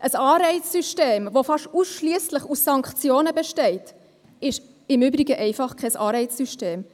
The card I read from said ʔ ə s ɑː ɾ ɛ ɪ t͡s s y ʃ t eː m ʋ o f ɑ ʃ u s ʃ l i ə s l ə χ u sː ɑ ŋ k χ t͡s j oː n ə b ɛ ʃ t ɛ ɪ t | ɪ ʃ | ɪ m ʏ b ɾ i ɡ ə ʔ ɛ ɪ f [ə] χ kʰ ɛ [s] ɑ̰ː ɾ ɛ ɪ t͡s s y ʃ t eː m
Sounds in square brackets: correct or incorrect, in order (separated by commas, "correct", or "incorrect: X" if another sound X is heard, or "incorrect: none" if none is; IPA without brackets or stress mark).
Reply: incorrect: ɑ, correct